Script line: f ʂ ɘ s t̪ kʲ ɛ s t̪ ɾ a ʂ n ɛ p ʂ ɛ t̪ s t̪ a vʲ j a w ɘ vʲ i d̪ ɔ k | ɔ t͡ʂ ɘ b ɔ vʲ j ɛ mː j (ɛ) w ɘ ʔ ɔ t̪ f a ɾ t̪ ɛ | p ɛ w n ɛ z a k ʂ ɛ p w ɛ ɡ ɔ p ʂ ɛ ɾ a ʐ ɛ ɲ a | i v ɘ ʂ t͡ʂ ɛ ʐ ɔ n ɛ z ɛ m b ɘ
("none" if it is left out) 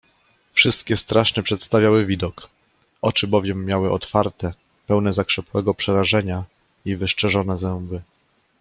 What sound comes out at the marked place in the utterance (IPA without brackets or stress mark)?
a